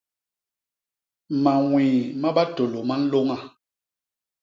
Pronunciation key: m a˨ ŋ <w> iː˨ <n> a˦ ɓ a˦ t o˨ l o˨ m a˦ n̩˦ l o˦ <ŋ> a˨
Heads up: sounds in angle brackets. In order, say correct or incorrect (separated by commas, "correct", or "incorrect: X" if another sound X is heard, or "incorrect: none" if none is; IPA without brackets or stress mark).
correct, incorrect: m, correct